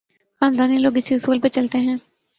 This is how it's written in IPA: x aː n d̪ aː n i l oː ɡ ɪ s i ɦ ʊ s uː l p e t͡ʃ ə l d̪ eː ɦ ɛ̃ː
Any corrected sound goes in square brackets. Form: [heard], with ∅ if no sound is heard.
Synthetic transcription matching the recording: x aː n d̪ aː n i l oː ɡ ɪ s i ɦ ʊ s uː l p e t͡ʃ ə l [t̪] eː ɦ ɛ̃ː